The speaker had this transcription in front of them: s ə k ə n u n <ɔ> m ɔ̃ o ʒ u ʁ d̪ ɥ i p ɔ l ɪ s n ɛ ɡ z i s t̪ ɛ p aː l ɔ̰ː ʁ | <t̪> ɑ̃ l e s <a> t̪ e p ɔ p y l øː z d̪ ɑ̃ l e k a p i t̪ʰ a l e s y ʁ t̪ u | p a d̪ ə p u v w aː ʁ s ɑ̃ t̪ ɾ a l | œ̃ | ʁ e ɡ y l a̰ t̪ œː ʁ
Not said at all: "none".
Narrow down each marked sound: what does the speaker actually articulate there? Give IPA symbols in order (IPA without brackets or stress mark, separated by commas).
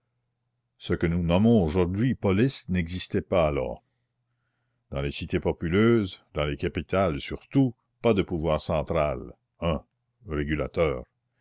ɔ, d̪, i